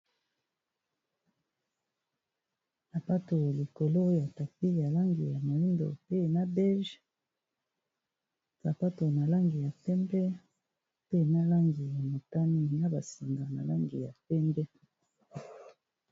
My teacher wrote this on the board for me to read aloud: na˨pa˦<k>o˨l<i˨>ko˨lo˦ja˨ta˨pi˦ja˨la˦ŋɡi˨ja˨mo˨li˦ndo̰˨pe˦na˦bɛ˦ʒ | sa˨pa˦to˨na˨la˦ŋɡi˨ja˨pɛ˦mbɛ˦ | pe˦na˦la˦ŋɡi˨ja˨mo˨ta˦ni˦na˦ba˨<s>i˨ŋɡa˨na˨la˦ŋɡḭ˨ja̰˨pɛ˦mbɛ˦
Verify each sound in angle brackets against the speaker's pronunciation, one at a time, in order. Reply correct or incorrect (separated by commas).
incorrect, correct, correct